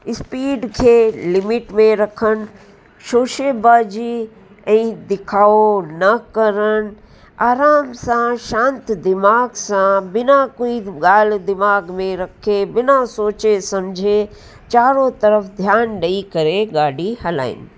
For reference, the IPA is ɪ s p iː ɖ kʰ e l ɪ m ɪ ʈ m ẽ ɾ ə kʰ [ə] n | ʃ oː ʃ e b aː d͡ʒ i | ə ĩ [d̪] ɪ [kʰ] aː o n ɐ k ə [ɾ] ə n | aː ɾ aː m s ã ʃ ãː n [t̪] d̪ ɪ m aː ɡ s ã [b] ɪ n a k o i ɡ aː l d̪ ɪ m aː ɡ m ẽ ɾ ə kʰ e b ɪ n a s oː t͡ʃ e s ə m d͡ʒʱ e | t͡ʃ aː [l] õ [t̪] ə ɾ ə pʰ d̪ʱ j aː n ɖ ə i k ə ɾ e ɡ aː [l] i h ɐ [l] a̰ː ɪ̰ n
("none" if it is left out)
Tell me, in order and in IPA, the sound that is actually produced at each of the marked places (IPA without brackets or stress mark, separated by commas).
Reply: ə, d̪, kʰ, ɾ, t̪, b, ɾ, t̪, ɽ, l